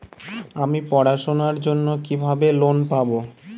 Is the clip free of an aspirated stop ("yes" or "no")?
yes